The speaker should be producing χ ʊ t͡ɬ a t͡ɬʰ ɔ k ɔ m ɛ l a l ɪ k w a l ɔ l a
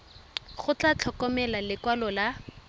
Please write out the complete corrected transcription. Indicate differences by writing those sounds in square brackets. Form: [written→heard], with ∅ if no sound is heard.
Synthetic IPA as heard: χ ʊ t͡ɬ a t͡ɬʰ ɔ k ɔ m ɛ l a l ɪ k w a l ɔ l a